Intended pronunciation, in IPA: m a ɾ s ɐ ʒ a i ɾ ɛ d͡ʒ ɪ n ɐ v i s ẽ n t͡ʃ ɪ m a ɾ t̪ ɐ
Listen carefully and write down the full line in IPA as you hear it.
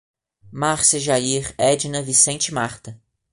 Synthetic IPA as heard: m a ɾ s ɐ ʒ a i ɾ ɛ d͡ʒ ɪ n ɐ v i s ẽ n t͡ʃ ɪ m a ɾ t̪ ɐ